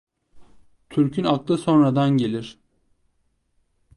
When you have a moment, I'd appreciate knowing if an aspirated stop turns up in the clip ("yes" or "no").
yes